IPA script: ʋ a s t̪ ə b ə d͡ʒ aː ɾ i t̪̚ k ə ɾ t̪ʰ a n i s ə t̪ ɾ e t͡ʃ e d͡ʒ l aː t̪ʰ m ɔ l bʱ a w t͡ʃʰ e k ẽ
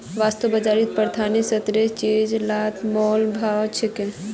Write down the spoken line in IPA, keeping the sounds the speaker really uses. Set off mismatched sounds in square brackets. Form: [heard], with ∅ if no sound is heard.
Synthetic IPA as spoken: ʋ a s t̪ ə b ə d͡ʒ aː ɾ i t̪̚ [p] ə ɾ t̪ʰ a n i s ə t̪ ɾ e t͡ʃ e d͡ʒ l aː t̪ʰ m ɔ l bʱ a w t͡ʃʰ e k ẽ